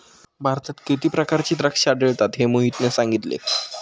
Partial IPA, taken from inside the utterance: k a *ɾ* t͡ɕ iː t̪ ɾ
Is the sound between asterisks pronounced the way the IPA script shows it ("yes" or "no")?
yes